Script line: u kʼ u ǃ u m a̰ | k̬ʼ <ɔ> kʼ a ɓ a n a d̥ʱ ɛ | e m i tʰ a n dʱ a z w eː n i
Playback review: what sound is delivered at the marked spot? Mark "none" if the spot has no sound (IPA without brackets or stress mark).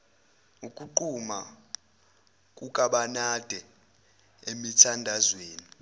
u